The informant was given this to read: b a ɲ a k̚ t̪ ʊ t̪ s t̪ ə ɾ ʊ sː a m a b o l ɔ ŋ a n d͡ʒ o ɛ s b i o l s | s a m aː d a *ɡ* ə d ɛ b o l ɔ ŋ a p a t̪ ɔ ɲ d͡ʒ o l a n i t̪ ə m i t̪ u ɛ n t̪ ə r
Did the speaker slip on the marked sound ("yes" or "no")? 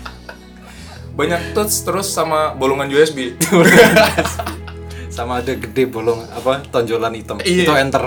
no